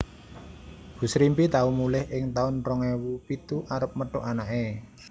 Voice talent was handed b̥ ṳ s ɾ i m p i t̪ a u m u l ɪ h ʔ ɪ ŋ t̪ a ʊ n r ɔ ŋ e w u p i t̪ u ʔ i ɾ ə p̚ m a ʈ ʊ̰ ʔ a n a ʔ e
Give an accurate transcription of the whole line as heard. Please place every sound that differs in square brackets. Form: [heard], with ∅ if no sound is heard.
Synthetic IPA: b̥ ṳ s ɾ i m p i t̪ a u m u l ɪ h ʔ ɪ ŋ t̪ a ʊ n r ɔ ŋ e w u p i t̪ u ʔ [a] ɾ ə p̚ m [ə] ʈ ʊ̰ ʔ a n a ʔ e